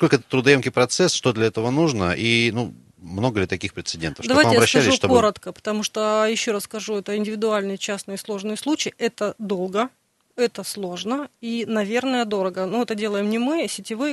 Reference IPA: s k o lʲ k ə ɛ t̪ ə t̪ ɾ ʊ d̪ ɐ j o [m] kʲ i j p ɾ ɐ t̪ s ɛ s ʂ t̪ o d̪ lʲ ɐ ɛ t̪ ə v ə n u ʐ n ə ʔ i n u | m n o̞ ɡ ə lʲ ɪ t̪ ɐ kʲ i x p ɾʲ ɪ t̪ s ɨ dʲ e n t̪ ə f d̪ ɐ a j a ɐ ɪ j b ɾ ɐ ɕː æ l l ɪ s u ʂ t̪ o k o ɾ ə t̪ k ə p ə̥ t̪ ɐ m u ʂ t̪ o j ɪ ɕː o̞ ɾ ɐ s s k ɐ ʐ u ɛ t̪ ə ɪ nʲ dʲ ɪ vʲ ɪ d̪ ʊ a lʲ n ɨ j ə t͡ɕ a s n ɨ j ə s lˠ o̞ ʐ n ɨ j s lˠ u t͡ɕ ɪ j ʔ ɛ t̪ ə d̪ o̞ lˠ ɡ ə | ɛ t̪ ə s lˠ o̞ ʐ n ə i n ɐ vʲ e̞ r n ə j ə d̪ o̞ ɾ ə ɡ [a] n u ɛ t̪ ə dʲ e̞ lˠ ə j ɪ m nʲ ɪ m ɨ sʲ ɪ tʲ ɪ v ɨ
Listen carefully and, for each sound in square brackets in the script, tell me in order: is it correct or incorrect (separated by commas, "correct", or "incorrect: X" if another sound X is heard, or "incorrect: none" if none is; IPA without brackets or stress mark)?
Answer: correct, incorrect: ə